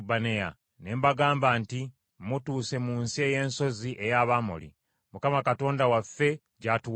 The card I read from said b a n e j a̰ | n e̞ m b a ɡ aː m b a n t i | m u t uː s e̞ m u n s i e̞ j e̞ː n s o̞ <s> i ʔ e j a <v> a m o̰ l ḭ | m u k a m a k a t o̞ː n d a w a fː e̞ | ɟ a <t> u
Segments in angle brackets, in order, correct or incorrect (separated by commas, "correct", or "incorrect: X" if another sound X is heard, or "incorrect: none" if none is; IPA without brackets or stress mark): incorrect: z, incorrect: β, correct